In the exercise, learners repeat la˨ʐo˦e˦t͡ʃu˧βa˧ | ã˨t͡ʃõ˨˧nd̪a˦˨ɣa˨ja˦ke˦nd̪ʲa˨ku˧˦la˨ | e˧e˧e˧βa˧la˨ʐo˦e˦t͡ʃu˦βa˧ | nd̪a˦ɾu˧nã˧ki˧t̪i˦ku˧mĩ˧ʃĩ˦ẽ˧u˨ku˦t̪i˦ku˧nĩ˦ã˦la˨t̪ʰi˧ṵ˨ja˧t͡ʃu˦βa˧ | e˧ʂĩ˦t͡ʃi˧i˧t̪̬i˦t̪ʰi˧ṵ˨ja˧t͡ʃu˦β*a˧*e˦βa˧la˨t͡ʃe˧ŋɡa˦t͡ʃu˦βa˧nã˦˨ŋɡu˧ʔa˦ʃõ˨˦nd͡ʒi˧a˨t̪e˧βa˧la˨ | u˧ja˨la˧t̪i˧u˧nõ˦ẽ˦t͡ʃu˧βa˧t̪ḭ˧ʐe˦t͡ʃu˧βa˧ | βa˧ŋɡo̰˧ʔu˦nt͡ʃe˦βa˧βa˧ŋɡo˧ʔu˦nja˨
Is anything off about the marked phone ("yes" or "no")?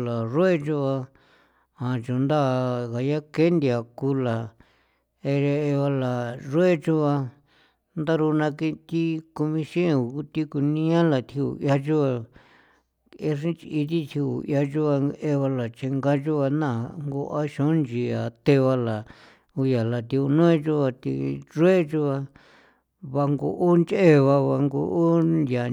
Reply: no